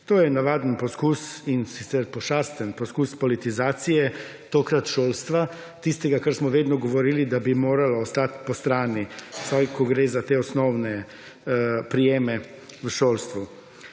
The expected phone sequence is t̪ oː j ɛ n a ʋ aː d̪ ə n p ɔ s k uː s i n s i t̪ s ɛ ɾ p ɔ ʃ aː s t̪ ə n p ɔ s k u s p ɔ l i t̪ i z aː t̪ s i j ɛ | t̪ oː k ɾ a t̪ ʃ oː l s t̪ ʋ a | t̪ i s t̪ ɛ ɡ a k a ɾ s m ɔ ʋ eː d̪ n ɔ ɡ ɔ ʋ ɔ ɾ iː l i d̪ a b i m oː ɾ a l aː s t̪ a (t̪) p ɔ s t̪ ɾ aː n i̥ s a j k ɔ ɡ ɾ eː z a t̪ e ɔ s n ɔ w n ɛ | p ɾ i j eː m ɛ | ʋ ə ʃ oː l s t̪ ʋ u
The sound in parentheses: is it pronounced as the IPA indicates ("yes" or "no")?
yes